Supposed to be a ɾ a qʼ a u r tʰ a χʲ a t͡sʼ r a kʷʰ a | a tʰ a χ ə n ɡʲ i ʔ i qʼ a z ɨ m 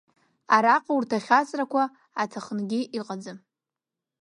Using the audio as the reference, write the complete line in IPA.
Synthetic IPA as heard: a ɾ a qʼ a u r tʰ a χʲ a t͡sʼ r a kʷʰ a | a tʰ a χ ə n ɡʲ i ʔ i qʼ a d͡z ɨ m